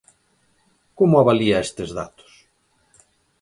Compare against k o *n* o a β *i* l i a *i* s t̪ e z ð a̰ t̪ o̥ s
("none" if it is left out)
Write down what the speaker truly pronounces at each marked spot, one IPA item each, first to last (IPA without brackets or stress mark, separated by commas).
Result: m, a, e